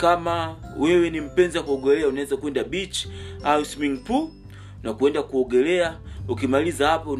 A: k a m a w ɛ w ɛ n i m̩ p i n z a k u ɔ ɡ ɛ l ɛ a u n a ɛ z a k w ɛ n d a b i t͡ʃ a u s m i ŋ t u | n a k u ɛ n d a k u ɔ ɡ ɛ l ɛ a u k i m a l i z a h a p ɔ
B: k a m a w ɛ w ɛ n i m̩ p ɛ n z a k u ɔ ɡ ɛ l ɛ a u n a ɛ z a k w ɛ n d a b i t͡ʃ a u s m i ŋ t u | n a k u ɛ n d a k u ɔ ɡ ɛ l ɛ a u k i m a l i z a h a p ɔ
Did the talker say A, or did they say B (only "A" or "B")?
B